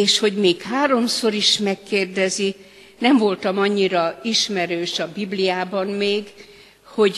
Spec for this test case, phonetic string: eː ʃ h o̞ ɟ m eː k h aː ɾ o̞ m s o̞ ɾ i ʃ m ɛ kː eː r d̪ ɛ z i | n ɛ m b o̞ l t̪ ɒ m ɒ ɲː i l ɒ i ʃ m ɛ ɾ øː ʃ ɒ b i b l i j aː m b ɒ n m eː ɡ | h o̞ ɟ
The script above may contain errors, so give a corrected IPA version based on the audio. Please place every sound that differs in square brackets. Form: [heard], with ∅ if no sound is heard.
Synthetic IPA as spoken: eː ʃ h o̞ ɟ m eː k h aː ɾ o̞ m s o̞ ɾ i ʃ m ɛ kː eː r d̪ ɛ z i | n ɛ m [v] o̞ l t̪ ɒ m ɒ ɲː i [ɾ] ɒ i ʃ m ɛ ɾ øː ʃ ɒ b i b l i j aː [∅] b ɒ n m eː ɡ | h o̞ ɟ